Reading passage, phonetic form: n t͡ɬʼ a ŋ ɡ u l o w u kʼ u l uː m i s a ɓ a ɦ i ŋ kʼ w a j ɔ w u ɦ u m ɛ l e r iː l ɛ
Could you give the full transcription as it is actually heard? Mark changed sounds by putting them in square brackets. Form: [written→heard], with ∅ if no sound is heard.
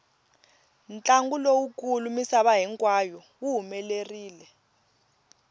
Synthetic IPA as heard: n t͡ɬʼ a ŋ ɡ u l o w u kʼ u l [uː→u] m i s a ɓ a ɦ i ŋ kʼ w a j ɔ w u ɦ u m ɛ l e r iː l ɛ